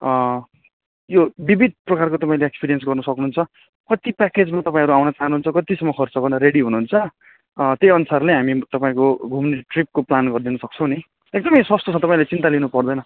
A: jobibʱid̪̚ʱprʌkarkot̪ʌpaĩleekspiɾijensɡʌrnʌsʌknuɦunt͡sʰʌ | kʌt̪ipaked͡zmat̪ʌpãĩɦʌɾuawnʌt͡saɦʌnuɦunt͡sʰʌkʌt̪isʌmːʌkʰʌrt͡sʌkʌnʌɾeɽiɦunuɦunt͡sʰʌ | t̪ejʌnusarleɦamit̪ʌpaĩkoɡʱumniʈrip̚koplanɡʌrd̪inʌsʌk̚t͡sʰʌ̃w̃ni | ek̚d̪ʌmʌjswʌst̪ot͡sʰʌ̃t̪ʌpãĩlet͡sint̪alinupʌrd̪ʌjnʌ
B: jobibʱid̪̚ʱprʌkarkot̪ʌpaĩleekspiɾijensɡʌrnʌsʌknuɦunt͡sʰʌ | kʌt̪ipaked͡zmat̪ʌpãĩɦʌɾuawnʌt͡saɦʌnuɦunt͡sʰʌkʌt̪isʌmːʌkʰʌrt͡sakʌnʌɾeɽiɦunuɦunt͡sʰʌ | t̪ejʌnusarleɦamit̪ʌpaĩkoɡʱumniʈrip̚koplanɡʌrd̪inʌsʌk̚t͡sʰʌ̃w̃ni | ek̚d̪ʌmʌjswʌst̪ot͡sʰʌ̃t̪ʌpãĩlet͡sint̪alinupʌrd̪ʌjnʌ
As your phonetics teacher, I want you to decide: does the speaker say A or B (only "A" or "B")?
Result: A